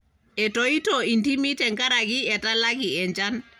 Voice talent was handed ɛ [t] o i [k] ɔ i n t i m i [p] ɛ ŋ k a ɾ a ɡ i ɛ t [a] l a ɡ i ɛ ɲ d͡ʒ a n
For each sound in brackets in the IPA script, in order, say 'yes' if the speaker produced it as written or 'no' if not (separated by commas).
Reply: yes, no, no, yes